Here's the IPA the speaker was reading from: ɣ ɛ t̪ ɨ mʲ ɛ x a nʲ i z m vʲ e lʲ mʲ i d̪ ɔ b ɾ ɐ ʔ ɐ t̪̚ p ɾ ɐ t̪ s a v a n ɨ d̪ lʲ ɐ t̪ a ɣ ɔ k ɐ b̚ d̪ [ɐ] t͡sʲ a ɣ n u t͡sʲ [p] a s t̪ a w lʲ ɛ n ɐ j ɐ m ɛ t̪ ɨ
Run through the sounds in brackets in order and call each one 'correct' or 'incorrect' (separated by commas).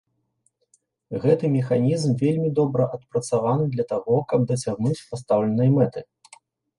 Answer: correct, correct